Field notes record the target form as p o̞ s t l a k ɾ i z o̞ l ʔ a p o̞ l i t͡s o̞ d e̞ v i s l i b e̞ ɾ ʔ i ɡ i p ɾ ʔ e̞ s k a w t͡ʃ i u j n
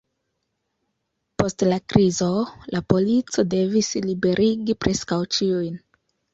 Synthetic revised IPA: p o̞ s t l a k ɾ i z o̞ l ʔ a p o̞ l i t͡s o̞ d e̞ v i s l i b e̞ ɾ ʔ i ɡ i p ɾ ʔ e̞ s k a w t͡ʃ i u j n